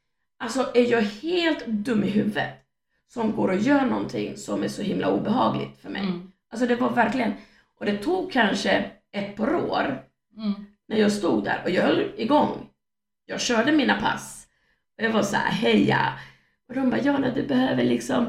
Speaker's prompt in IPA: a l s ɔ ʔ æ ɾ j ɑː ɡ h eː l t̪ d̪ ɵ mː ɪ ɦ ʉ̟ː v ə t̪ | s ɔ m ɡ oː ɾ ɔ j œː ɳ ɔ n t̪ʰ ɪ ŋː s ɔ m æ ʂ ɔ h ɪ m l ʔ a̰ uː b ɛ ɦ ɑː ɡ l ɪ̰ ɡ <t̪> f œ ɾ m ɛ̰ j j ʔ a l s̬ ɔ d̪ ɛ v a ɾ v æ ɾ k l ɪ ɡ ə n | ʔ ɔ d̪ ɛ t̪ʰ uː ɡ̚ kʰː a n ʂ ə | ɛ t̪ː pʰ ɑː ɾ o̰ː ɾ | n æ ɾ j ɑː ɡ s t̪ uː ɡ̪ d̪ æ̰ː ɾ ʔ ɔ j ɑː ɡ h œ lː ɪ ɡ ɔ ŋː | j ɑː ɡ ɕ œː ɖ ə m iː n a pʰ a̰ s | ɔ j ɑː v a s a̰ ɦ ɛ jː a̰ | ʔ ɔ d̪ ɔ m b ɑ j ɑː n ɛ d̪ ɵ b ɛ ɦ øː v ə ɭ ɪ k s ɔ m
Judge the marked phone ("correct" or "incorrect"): correct